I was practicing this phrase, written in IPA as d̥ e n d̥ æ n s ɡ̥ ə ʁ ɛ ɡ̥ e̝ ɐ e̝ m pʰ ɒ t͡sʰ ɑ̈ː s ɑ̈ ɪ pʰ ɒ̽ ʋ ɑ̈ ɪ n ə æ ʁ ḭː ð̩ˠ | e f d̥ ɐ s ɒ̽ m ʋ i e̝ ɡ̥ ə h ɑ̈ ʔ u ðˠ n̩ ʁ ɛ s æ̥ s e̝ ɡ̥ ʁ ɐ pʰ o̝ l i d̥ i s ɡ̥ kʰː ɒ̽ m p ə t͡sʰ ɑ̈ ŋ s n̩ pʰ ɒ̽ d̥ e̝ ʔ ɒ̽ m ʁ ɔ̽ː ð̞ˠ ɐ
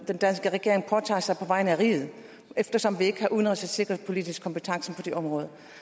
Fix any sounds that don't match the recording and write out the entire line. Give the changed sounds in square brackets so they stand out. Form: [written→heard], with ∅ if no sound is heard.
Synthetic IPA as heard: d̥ e n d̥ æ n s ɡ̥ ə ʁ ɛ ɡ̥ e̝ ɐ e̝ [m→ŋ] pʰ ɒ t͡sʰ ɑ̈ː s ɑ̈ ɪ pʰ ɒ̽ ʋ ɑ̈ ɪ n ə æ ʁ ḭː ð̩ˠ | e f d̥ ɐ s ɒ̽ m ʋ i e̝ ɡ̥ ə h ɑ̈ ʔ u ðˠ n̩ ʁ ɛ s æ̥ s e̝ ɡ̥ ʁ ɐ pʰ o̝ l i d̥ i s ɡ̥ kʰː ɒ̽ m p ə t͡sʰ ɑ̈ ŋ s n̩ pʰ ɒ̽ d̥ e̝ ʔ ɒ̽ m ʁ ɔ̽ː ð̞ˠ ɐ

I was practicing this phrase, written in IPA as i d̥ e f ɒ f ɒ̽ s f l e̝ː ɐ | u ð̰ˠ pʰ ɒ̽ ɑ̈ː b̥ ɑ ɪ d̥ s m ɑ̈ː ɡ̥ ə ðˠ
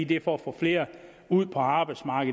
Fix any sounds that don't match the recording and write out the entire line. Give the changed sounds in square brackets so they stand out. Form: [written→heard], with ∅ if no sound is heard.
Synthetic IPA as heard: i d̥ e f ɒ f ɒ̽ [s→∅] f l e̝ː ɐ | u ð̰ˠ pʰ ɒ̽ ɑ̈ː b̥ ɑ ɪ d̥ s m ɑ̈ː ɡ̥ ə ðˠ

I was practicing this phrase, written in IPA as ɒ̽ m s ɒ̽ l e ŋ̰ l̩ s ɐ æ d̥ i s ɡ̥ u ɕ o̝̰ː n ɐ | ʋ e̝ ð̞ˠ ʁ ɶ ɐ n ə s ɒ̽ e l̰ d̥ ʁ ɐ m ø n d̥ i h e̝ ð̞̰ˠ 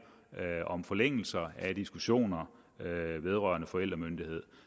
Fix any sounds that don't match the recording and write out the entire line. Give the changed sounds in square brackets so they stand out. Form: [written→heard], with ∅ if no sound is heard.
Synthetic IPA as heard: ɒ̽ m [s→f] ɒ̽ l e ŋ̰ l̩ s ɐ æ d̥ i s ɡ̥ u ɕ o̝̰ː n ɐ | ʋ e̝ ð̞ˠ ʁ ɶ ɐ n ə [s→f] ɒ̽ e l̰ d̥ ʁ ɐ m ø n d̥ i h e̝ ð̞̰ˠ

